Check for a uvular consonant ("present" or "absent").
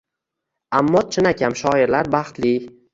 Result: present